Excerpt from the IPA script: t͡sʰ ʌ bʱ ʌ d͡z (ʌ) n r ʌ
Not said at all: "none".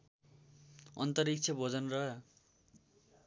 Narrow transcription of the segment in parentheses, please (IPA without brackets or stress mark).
ʌ